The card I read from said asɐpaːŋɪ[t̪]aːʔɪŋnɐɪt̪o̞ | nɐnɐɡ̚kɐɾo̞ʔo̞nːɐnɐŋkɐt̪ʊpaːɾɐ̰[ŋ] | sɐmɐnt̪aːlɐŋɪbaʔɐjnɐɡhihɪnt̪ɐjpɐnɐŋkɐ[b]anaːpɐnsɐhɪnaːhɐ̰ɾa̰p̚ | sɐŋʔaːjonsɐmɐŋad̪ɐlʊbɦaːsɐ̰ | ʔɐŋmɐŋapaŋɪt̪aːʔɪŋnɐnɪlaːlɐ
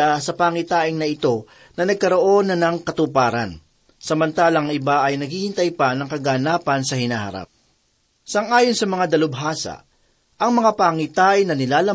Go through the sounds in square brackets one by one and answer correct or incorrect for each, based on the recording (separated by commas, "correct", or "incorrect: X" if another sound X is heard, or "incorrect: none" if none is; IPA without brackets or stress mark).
correct, incorrect: n, incorrect: ɡ